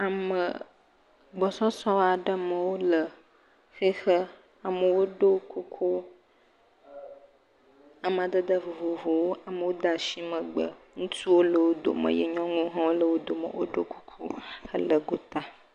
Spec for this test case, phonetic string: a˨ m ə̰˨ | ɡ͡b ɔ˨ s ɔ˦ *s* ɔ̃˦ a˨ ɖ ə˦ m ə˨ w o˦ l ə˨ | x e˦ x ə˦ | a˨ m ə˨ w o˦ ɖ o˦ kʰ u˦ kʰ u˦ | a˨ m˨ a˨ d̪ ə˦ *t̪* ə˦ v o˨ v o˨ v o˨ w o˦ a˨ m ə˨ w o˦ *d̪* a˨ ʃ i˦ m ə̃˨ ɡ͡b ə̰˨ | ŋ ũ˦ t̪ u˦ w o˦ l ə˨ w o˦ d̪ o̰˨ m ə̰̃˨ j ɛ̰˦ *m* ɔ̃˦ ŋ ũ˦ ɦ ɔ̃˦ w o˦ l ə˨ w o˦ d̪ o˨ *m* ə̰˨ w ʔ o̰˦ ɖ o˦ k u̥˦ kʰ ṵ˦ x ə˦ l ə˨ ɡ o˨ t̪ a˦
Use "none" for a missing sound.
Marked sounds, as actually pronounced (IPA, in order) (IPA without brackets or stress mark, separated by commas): s, d̪, d̪, ɲ, m